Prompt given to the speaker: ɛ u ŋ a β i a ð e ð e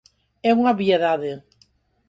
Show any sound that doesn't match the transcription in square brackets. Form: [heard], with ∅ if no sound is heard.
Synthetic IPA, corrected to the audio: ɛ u ŋ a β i [e] ð [a] ð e